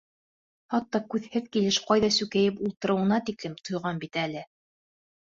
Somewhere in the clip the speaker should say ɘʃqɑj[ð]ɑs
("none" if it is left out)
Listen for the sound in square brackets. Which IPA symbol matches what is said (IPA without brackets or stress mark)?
ð